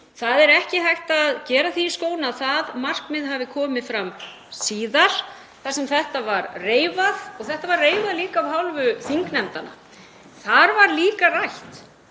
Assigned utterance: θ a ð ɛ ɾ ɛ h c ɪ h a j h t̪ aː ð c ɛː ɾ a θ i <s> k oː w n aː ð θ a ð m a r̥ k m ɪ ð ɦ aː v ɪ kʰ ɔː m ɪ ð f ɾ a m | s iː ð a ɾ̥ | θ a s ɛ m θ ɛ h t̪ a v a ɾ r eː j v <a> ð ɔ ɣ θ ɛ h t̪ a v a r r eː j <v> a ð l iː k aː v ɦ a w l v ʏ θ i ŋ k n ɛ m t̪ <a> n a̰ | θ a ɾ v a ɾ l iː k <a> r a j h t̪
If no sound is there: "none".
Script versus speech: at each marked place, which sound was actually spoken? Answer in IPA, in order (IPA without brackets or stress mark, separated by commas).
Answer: s, a, v, a, a